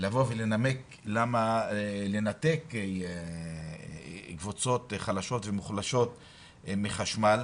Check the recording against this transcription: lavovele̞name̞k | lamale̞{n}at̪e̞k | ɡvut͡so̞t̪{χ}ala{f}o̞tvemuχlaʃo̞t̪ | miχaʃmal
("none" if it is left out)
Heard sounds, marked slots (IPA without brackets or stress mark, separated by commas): n, χ, ʃ